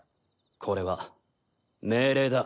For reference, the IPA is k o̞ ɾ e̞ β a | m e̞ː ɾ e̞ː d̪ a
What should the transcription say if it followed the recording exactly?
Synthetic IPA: kʰ o̞ ɾ e̞ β a | m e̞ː ɾ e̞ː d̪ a